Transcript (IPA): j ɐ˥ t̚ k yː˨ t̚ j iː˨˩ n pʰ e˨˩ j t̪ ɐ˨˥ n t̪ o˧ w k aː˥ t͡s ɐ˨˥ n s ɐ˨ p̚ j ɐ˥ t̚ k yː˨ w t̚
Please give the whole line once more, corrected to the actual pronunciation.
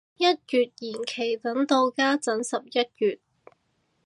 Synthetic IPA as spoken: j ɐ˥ t̚ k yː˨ t̚ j iː˨˩ n kʰ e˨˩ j t̪ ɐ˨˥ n t̪ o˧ w k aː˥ t͡s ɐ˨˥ n s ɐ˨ p̚ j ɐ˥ t̚ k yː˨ t̚